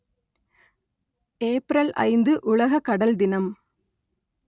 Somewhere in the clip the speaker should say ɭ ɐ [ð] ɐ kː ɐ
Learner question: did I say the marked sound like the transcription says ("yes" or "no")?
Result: no